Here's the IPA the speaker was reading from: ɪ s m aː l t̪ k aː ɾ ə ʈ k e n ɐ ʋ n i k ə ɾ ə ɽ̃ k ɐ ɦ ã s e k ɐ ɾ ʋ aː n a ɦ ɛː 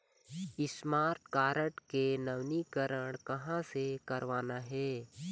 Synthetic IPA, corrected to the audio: ɪ s m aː ɾ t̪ k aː ɾ ə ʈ k e n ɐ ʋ n i k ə ɾ ə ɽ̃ k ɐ ɦ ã s e k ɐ ɾ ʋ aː n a ɦ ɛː